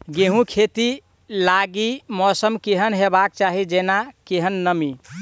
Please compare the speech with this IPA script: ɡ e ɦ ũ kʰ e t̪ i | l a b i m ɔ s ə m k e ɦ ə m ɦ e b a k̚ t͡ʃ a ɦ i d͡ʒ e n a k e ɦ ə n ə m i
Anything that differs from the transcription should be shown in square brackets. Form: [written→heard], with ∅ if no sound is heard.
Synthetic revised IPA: ɡ e ɦ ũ kʰ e t̪ i | l a [b→ɡ] i m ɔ s ə m k e ɦ ə [m→n] ɦ e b a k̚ t͡ʃ a ɦ i d͡ʒ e n a k e ɦ ə [n→nː] ə m i